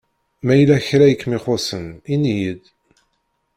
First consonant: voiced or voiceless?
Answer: voiced